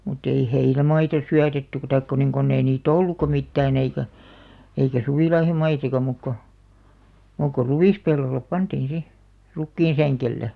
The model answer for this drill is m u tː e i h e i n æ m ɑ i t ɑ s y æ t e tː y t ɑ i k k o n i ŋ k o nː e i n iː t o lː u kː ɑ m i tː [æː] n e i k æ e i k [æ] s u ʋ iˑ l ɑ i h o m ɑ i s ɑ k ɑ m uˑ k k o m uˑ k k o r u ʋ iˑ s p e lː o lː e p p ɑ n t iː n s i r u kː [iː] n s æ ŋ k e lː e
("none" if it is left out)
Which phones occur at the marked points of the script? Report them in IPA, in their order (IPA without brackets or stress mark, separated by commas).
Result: æː, æ, iː